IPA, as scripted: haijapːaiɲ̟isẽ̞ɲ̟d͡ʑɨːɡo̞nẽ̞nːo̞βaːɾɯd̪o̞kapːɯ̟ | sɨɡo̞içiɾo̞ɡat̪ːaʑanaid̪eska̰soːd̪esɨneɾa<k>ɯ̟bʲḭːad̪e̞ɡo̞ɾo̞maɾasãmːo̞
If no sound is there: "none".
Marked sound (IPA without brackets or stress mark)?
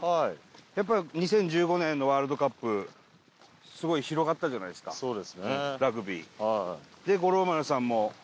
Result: ɡ